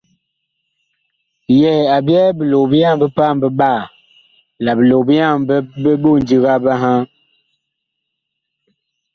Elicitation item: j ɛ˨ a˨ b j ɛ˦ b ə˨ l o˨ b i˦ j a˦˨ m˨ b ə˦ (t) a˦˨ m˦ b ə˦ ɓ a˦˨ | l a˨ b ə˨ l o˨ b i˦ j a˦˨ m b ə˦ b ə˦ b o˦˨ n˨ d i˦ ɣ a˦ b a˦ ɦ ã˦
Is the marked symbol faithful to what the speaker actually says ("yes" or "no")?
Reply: no